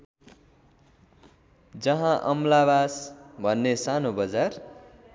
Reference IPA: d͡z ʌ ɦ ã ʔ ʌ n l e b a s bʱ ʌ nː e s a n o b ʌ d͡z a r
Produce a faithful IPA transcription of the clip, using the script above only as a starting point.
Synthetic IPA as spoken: d͡z ʌ ɦ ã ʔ ʌ m l a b a s bʱ ʌ nː e s a n o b ʌ d͡z a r